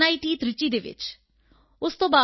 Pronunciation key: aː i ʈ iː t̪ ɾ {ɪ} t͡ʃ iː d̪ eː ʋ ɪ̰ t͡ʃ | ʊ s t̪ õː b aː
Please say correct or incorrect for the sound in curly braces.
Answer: correct